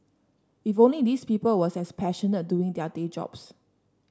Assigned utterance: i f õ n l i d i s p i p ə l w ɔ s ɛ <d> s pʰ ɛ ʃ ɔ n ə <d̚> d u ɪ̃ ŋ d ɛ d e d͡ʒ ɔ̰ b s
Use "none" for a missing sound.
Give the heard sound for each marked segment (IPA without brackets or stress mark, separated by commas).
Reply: none, t̚